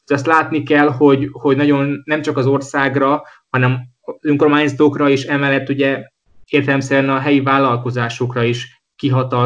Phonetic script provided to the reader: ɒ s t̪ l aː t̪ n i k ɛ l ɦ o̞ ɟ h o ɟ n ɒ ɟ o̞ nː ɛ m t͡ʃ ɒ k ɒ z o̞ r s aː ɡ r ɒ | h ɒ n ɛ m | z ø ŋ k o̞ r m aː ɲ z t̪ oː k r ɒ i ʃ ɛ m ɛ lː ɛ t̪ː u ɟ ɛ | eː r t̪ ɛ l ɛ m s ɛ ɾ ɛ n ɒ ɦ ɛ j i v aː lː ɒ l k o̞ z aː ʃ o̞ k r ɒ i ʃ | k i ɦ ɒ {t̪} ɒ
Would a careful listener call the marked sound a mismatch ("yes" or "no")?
no